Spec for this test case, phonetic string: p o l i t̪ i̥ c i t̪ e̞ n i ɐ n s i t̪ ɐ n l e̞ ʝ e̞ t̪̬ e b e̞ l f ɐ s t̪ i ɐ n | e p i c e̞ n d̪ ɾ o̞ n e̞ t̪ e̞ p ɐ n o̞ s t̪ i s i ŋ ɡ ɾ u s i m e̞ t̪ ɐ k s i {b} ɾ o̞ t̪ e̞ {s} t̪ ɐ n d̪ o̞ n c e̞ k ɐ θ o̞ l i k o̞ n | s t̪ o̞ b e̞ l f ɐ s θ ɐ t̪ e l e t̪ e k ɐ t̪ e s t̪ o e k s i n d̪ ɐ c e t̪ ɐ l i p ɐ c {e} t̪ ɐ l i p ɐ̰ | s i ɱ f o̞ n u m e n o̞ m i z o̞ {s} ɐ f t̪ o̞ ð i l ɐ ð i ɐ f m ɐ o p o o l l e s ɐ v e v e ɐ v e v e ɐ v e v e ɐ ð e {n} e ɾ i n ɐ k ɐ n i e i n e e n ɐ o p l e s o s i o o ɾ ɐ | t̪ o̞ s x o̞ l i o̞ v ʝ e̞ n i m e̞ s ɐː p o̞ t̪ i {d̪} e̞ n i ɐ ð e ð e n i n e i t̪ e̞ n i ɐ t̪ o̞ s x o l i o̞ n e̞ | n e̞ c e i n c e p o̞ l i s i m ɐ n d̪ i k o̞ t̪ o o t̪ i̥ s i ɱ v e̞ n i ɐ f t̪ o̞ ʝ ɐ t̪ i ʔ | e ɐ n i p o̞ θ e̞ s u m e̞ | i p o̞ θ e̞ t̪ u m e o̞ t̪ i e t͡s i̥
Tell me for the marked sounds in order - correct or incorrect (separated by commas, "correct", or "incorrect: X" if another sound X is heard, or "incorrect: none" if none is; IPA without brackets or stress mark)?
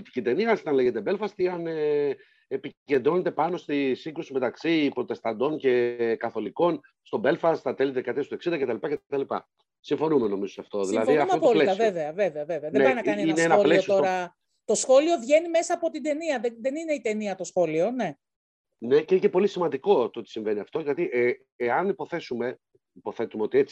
incorrect: p, correct, correct, correct, correct, correct